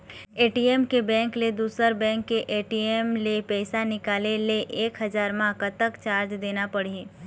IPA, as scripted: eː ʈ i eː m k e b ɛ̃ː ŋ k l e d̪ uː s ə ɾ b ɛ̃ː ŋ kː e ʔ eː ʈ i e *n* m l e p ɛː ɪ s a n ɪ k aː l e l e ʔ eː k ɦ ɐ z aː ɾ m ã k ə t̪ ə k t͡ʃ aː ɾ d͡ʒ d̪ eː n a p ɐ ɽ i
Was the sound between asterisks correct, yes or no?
no